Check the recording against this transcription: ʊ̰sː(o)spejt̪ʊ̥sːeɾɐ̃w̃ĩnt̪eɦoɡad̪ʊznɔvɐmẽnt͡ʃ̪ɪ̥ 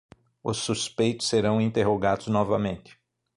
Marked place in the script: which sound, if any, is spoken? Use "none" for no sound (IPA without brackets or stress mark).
u